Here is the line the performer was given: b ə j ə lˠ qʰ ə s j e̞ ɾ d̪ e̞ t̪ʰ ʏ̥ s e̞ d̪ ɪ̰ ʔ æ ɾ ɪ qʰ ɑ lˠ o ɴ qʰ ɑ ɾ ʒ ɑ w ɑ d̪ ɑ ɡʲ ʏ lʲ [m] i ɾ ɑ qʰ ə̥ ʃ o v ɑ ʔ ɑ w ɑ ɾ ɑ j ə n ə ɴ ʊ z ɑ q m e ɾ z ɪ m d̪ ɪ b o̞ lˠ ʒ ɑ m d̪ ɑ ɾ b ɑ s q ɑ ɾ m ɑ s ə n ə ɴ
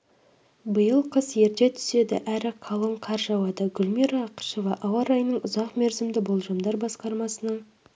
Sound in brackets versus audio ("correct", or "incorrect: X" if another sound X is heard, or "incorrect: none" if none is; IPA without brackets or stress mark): correct